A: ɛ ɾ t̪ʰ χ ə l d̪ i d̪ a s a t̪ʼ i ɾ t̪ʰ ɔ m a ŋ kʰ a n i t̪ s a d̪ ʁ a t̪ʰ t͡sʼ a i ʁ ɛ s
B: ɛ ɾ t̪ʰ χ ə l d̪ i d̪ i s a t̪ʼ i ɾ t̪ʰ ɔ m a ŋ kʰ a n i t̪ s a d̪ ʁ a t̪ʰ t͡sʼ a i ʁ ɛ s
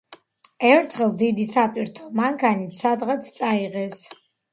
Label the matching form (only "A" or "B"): B